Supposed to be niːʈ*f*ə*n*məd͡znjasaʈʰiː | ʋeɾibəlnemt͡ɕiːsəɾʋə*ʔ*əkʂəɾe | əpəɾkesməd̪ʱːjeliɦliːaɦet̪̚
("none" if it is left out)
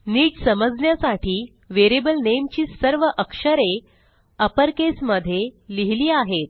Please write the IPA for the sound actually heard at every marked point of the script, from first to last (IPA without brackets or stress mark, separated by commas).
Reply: s, none, ʔ